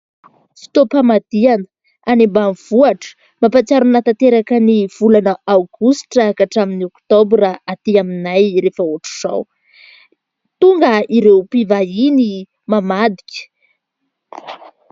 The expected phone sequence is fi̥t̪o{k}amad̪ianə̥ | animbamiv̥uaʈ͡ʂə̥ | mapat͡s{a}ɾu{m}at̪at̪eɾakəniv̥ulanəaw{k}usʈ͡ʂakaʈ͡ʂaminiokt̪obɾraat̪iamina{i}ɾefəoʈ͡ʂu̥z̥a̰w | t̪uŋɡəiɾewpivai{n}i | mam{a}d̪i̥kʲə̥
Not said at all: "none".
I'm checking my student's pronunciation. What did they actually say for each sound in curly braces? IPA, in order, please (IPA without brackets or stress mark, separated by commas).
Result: p, a, n, ɡ, j, n, a